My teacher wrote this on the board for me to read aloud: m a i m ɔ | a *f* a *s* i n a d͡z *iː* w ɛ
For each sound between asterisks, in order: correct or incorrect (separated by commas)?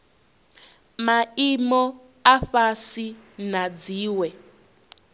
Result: correct, correct, correct